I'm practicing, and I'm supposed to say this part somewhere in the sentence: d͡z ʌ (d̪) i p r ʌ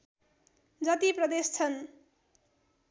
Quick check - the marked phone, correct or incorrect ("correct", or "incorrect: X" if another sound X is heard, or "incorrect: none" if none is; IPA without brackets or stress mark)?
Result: incorrect: t̪